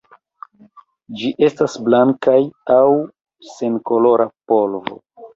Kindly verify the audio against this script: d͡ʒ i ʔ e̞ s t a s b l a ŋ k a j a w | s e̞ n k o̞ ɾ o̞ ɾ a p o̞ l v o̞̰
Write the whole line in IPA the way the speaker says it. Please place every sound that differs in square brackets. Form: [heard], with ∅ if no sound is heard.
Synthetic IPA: d͡ʒ i ʔ e̞ s t a s b l a ŋ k a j a w | s e̞ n k o̞ [l] o̞ ɾ a p o̞ l v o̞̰